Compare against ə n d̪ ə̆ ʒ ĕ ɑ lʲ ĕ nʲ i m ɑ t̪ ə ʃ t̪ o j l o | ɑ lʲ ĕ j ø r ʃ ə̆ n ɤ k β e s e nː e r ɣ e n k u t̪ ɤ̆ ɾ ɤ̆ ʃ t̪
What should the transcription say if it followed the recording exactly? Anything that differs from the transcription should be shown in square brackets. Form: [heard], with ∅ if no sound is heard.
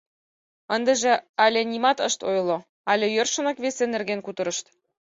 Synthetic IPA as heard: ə n d̪ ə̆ ʒ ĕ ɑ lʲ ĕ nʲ i m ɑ t̪ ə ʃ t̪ o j l o | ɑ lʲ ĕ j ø r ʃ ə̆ n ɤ k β e s e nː e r ɣ e n k u t̪ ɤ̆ ɾ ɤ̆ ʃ t̪